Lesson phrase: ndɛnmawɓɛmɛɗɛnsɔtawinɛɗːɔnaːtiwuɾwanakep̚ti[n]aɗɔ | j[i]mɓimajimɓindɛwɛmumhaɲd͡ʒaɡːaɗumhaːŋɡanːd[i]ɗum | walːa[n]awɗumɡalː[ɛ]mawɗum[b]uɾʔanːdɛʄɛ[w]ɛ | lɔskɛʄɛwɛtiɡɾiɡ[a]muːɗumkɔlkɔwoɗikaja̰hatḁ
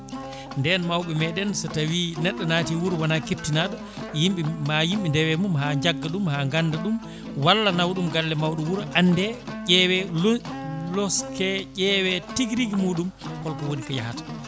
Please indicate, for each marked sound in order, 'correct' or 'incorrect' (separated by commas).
correct, correct, incorrect, correct, correct, incorrect, correct, incorrect